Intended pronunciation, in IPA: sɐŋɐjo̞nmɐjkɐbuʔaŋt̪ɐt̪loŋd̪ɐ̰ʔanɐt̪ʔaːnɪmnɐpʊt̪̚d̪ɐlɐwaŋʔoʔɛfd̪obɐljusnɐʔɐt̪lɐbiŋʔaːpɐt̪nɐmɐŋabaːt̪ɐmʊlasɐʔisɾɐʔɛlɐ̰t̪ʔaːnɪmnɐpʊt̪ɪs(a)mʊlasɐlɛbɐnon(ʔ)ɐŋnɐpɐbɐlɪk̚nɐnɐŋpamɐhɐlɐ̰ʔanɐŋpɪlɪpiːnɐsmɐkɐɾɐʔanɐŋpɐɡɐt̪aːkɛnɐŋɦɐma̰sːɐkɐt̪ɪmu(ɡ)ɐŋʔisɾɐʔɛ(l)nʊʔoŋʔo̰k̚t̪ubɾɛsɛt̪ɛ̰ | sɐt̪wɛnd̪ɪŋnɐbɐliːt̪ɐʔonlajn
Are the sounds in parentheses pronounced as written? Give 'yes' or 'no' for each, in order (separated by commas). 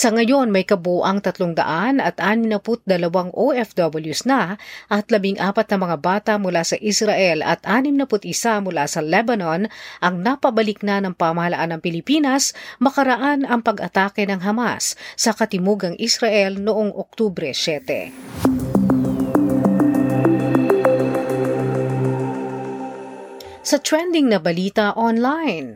yes, yes, yes, yes